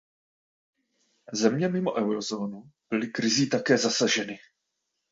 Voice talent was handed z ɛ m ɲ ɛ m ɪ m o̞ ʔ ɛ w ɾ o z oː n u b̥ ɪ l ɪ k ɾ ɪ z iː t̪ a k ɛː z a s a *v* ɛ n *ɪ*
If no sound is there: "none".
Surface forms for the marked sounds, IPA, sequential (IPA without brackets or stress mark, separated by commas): ʒ, ɪ